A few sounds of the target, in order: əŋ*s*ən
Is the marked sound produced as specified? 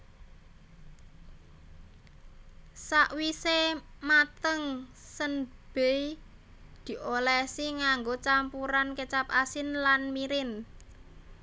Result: yes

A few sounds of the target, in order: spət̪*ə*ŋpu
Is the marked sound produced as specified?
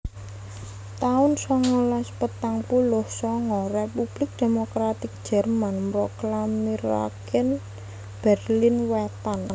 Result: no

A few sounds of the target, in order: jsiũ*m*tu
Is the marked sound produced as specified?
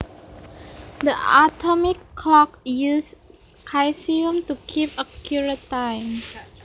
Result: yes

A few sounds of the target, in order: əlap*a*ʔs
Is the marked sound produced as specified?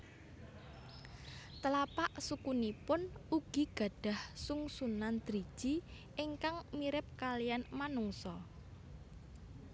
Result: yes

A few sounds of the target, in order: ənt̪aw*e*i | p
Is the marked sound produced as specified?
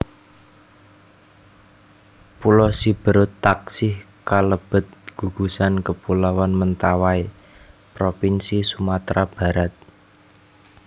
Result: no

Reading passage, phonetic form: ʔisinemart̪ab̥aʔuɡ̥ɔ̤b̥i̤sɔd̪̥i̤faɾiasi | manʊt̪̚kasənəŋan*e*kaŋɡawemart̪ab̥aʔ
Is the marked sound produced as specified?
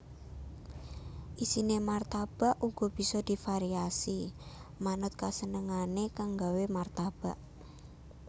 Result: yes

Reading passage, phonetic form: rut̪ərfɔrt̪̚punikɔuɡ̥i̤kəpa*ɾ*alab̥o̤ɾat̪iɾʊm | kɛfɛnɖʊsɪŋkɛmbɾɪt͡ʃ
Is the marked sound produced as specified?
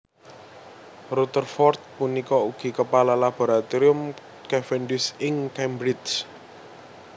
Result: no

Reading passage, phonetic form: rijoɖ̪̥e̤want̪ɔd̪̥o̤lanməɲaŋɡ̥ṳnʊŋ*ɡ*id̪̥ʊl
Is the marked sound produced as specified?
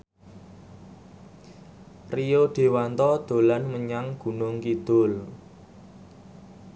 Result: no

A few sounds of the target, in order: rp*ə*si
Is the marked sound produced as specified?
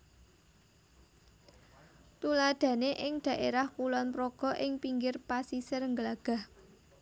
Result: no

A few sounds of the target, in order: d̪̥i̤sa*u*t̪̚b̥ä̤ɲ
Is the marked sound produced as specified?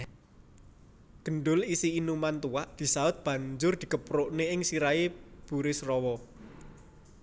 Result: no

